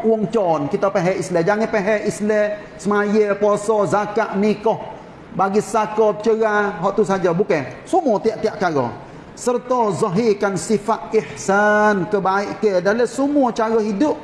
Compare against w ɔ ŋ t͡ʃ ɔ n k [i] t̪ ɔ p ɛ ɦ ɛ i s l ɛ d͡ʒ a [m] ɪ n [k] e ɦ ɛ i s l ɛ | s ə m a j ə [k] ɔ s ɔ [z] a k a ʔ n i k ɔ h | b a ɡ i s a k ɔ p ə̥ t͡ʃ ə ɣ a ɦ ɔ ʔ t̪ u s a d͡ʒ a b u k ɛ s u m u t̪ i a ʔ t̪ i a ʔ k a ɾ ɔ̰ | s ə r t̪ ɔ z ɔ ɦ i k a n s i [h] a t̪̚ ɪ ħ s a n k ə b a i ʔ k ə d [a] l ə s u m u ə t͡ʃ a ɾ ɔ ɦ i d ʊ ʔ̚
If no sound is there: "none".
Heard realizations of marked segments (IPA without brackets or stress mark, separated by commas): i, ŋ, p, p, z, f, a